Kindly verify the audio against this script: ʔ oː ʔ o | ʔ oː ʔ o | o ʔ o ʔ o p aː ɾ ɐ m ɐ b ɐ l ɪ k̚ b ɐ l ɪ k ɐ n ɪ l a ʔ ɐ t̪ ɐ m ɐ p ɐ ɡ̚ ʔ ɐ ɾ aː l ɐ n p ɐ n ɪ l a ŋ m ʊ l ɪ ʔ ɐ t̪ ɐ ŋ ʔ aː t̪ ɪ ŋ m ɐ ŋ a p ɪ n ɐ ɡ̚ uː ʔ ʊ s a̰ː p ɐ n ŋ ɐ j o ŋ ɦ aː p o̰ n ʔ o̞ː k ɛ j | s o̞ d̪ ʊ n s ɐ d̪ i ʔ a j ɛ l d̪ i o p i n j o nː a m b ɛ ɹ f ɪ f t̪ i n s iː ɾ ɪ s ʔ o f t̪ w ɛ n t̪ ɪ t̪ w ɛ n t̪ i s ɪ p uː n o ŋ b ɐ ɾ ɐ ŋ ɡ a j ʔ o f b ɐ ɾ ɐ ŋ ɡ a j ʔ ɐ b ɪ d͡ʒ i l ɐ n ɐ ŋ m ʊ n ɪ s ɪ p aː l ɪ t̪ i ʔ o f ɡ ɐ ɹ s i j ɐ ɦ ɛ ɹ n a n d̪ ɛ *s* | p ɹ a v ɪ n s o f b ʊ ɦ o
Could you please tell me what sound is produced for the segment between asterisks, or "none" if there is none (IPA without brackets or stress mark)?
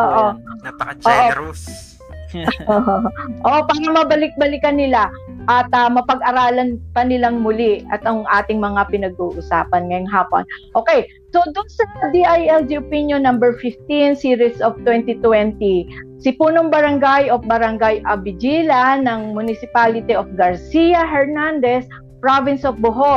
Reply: s